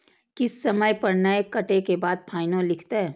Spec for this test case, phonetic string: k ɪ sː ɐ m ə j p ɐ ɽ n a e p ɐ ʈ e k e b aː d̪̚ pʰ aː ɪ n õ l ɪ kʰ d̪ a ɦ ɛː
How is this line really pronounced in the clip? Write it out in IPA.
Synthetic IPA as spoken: k ɪ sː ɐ m ə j p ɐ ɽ n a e k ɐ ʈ e k e b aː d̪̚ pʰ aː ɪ n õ l ɪ kʰ t̪ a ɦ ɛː